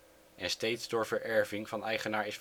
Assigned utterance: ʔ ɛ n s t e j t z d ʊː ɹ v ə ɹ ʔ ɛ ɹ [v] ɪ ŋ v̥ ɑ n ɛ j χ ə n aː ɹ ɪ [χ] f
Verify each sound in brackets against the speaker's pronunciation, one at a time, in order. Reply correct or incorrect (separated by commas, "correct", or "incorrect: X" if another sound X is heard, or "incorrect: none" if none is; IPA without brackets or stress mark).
correct, incorrect: s